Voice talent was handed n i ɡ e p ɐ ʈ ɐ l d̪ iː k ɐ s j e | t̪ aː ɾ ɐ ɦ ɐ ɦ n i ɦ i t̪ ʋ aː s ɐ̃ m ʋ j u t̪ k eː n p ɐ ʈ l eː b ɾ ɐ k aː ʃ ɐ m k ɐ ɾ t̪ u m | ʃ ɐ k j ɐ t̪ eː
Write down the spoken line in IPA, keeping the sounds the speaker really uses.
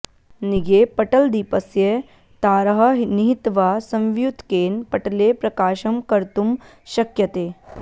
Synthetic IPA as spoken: n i ɡ e p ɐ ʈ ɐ l d̪ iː p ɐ s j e | t̪ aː ɾ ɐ ɦ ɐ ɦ n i ɦ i t̪ ʋ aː s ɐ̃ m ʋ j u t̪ k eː n p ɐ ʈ l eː p ɾ ɐ k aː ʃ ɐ m k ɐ ɾ t̪ u m | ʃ ɐ k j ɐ t̪ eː